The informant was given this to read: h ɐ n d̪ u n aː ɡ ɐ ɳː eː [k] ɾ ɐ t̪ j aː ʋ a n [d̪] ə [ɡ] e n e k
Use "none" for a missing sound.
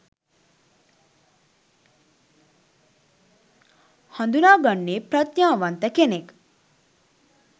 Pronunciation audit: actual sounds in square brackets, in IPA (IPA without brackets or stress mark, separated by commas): p, t̪, k